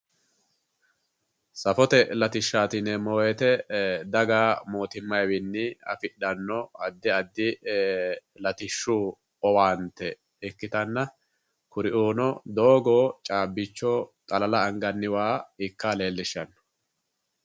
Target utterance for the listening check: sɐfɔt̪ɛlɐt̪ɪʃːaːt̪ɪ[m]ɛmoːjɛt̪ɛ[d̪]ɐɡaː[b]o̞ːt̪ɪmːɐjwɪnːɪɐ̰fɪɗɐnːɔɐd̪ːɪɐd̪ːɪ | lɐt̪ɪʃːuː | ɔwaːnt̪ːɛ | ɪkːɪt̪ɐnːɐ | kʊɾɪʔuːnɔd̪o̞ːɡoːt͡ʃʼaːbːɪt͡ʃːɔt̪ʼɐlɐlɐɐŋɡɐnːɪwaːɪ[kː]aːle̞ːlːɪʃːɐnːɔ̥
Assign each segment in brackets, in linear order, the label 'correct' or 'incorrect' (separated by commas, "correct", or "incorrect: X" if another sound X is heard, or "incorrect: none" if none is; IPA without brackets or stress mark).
incorrect: n, correct, incorrect: m, correct